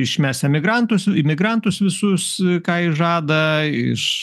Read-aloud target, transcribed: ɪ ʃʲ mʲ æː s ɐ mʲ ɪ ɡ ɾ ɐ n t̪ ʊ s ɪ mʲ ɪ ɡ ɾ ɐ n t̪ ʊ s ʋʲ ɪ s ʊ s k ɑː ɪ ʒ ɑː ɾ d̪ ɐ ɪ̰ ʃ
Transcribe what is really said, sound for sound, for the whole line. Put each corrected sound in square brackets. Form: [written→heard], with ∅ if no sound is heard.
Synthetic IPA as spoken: ɪ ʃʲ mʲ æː s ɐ mʲ ɪ ɡ ɾ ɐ n t̪ ʊ s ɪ mʲ ɪ ɡ ɾ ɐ n t̪ ʊ s ʋʲ ɪ s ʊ s k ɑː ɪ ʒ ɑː [ɾ→∅] d̪ ɐ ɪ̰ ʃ